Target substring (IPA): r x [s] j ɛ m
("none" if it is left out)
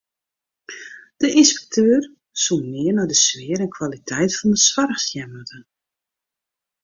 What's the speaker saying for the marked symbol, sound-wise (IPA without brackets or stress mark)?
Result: s